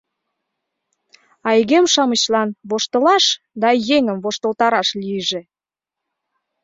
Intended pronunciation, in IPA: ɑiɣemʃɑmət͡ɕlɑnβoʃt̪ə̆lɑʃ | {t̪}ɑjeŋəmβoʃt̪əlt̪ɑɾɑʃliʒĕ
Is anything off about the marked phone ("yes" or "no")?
yes